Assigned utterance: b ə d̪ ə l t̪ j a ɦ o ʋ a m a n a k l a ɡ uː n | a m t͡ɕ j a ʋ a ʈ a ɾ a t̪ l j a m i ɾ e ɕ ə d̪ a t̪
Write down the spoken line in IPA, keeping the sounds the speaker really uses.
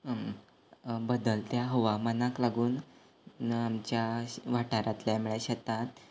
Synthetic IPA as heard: b ə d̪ ə l t̪ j a ɦ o ʋ a m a n a k l a ɡ uː n | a m t͡ɕ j a ʋ a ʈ a ɾ a t̪ l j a m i ɭ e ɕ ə t̪ a t̪